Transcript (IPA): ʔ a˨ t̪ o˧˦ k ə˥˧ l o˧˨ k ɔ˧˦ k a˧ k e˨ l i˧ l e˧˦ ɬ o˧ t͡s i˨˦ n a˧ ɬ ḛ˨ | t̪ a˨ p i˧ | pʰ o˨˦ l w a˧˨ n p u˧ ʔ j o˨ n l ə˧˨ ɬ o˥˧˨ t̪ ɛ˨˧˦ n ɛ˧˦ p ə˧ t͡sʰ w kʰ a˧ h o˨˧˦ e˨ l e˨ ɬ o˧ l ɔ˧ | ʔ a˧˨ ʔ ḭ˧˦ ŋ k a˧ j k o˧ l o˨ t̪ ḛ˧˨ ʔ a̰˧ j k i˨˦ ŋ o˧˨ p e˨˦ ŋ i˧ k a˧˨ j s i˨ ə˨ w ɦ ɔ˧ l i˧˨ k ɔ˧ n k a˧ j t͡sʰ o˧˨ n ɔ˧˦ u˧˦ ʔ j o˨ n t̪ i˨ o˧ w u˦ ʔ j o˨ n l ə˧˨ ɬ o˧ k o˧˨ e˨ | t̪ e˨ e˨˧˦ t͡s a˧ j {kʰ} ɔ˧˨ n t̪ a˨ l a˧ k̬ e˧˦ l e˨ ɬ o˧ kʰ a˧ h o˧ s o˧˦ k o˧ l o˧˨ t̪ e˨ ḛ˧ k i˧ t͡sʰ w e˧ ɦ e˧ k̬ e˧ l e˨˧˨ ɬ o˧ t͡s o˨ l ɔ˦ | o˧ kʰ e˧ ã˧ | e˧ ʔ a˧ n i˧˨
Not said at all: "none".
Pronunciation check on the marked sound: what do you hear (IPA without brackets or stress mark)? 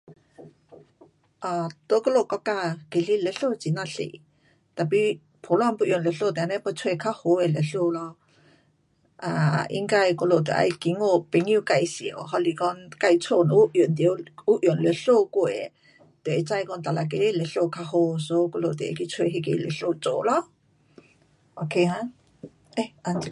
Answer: k